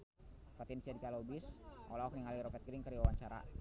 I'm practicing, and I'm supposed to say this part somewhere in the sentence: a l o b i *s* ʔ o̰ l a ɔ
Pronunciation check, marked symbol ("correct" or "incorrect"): correct